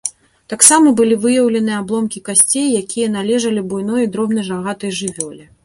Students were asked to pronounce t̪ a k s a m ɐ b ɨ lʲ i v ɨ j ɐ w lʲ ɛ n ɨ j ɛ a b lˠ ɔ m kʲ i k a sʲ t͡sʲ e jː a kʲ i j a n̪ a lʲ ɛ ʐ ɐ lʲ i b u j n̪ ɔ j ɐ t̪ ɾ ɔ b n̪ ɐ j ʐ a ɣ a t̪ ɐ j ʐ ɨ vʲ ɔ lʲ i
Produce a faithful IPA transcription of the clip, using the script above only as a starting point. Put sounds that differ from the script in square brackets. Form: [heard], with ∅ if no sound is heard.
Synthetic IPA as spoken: t̪ a k s a m ɐ b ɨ lʲ i v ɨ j ɐ w lʲ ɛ n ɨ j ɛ a b lˠ ɔ m kʲ i k a sʲ t͡sʲ e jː a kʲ i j [ɐ] n̪ a lʲ ɛ ʐ ɐ lʲ i b u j n̪ ɔ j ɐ [d̪] ɾ ɔ b n̪ ɐ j ʐ a ɣ a t̪ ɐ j ʐ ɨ vʲ ɔ lʲ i